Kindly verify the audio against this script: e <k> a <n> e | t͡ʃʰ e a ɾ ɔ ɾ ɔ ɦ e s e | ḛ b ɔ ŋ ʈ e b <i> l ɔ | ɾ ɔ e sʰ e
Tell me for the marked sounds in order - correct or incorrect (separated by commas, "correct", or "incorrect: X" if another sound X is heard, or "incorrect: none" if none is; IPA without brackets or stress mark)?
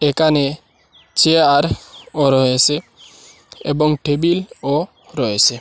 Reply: correct, correct, correct